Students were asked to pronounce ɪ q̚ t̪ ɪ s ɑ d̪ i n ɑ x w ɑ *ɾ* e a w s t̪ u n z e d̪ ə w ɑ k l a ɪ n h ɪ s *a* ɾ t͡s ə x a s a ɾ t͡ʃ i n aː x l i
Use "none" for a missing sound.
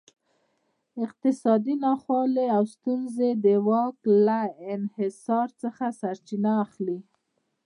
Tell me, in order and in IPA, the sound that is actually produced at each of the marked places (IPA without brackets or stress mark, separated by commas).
l, ɑ